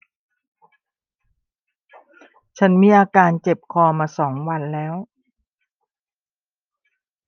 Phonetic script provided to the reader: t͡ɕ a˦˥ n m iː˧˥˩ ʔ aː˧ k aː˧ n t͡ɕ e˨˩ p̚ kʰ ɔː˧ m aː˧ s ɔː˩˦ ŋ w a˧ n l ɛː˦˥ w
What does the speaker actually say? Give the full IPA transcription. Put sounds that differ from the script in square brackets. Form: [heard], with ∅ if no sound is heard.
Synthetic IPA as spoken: [t͡ɕʰ] a˦˥ n m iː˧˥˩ ʔ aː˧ k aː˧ n t͡ɕ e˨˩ p̚ kʰ ɔː˧ m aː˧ s ɔː˩˦ ŋ w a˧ n l ɛː˦˥ w